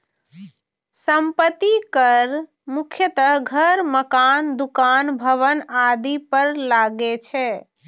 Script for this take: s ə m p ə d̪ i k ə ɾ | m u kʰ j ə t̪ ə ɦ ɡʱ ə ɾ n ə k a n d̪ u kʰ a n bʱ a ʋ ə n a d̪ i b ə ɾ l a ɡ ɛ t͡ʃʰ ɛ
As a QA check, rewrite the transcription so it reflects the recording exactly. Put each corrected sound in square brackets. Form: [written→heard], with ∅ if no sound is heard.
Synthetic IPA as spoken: s ə m p ə [d̪→t̪] i k ə ɾ | m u kʰ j ə t̪ ə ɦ ɡʱ ə ɾ [n→m] ə k a n d̪ u [kʰ→k] a n bʱ [a→ə] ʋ ə n a d̪ i [b→p] ə ɾ l a ɡ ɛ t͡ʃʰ ɛ